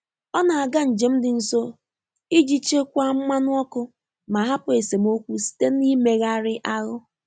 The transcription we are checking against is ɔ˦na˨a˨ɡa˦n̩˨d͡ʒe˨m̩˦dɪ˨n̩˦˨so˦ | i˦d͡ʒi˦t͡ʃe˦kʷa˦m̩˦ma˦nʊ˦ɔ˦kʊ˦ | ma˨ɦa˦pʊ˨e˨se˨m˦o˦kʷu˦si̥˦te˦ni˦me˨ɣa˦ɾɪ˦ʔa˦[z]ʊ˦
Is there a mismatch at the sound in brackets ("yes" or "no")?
yes